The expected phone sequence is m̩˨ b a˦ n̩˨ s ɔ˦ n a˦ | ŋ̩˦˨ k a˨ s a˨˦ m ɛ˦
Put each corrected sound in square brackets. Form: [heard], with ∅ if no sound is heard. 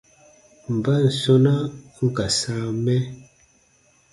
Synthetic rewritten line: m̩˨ b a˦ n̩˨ s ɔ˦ n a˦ | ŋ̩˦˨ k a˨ s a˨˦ m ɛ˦